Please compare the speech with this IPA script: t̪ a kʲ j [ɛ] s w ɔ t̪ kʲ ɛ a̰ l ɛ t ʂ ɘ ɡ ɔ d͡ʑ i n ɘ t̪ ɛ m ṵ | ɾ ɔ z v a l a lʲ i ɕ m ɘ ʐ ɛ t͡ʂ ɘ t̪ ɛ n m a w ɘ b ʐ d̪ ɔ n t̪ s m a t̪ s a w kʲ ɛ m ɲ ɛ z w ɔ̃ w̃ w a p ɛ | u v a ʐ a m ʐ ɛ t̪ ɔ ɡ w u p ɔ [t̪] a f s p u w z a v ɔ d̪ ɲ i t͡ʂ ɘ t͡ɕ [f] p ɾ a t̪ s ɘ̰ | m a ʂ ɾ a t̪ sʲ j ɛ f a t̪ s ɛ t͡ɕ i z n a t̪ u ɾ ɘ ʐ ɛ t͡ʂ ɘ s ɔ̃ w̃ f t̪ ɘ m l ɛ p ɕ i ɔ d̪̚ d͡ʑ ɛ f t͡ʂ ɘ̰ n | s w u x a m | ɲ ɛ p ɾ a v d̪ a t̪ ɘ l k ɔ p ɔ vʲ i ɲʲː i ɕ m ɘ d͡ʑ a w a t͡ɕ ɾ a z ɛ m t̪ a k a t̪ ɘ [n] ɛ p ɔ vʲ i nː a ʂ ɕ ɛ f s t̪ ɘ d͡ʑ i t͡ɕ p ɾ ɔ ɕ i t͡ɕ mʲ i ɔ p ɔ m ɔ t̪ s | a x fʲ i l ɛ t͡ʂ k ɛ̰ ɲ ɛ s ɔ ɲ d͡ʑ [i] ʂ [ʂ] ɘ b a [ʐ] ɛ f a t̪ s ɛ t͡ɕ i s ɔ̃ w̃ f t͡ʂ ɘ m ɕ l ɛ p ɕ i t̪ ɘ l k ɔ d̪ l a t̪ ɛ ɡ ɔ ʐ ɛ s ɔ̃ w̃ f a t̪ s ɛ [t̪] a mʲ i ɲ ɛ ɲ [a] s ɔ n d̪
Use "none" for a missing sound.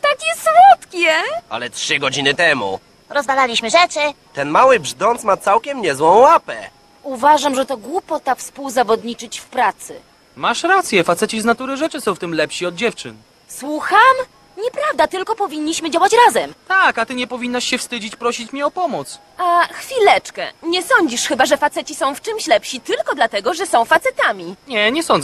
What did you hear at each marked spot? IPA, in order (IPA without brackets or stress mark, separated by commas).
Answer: ɛ, t̪, f, ɲ, i, x, ʐ, t̪, ɛ